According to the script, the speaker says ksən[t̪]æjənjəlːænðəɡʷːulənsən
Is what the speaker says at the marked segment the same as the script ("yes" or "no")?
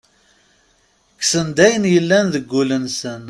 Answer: no